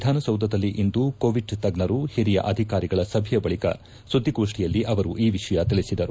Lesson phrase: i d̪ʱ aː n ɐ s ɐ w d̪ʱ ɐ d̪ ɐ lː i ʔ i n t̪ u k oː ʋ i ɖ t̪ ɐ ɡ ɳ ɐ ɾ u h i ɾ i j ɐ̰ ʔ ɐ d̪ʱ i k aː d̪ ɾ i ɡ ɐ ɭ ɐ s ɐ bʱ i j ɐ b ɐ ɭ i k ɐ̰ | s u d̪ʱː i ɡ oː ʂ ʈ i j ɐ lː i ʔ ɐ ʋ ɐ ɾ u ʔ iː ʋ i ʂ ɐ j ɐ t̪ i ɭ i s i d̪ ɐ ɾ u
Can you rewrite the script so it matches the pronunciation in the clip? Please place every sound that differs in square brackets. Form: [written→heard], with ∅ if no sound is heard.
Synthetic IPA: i d̪ʱ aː n ɐ s ɐ w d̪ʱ ɐ d̪ ɐ lː i ʔ i n [t̪→d̪] u k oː ʋ i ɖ t̪ ɐ ɡ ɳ ɐ ɾ u h i ɾ i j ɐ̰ ʔ ɐ d̪ʱ i k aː [d̪→∅] ɾ i ɡ ɐ ɭ ɐ s ɐ bʱ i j ɐ b ɐ ɭ i k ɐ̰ | s u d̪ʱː i ɡ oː ʂ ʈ i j ɐ lː i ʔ ɐ ʋ ɐ ɾ u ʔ iː ʋ i ʂ ɐ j ɐ t̪ i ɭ i s i d̪ ɐ ɾ u